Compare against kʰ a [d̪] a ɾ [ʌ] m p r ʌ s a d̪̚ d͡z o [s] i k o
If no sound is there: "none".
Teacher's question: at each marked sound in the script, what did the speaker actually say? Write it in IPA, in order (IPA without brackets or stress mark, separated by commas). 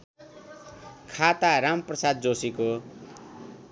t̪, a, s